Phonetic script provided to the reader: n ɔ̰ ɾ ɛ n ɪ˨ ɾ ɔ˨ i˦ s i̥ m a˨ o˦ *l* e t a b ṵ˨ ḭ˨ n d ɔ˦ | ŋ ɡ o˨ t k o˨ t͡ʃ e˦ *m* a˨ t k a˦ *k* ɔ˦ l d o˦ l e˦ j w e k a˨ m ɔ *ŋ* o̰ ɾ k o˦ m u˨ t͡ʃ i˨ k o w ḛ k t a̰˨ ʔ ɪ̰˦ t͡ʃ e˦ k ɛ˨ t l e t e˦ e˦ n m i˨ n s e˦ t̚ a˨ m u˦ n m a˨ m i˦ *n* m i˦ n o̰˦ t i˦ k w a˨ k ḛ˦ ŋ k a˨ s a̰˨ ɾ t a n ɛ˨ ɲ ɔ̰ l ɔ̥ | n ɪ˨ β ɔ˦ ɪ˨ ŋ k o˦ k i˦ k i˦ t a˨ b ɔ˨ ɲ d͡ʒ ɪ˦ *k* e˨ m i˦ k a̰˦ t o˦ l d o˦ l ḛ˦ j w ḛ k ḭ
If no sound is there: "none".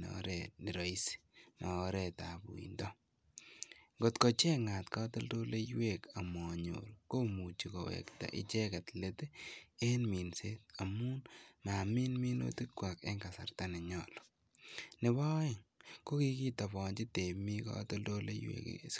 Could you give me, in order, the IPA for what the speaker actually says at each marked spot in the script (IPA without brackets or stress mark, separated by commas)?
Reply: ɾ, ŋ, t, ɲ, n, t